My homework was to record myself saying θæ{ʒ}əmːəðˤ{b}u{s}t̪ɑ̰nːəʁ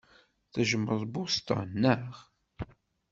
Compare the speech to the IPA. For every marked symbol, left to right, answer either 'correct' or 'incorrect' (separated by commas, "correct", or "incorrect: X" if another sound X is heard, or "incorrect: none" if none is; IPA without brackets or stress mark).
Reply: correct, correct, correct